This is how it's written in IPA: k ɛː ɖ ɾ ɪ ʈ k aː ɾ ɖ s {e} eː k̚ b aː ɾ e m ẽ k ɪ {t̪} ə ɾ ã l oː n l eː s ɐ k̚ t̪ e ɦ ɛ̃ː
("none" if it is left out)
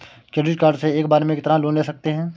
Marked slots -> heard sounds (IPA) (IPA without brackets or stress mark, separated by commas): e, t̪